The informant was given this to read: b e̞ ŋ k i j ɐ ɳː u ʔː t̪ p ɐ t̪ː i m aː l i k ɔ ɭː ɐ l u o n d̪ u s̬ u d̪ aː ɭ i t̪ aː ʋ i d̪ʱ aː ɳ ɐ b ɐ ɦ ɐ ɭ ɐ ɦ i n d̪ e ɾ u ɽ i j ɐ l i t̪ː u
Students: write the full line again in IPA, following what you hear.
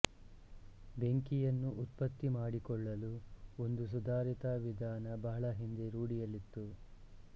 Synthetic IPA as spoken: b e̞ ŋ k i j ɐ nː u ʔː t̪ p ɐ t̪ː i m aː ɽ i k ɔ ɭː ɐ l u o n d̪ u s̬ u d̪ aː ɾ i t̪ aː ʋ i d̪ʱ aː n ɐ b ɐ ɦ ɐ ɭ ɐ ɦ i n d̪ e ɾ uː ɽ i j ɐ l i t̪ː u